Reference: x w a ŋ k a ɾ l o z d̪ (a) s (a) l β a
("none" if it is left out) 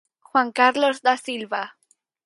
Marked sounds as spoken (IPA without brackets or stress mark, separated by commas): a, i